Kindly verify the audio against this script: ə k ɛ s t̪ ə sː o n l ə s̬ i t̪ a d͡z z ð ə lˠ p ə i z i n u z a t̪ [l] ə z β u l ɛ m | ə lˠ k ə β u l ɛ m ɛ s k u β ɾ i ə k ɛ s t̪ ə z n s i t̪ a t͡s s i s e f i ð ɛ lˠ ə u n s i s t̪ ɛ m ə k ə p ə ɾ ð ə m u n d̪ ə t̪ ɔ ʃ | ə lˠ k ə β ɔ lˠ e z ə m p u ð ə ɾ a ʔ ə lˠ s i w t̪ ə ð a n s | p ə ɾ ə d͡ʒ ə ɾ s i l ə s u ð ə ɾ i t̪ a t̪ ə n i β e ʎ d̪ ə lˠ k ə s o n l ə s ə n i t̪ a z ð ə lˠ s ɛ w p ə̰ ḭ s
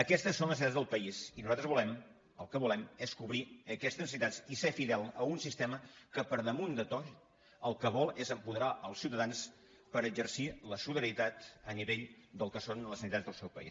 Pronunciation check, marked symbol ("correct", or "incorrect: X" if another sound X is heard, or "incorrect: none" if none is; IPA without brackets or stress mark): incorrect: ɾ